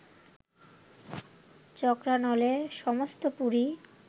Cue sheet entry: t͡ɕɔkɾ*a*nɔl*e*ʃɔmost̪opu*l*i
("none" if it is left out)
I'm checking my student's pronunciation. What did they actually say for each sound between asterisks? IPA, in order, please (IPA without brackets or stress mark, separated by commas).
a, e, ɾ